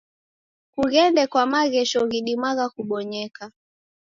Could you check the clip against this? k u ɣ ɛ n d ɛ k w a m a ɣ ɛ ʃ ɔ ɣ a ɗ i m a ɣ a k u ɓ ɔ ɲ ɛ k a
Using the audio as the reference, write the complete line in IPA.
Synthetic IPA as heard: k u ɣ ɛ n d ɛ k w a m a ɣ ɛ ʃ ɔ ɣ i ɗ i m a ɣ a k u ɓ ɔ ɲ ɛ k a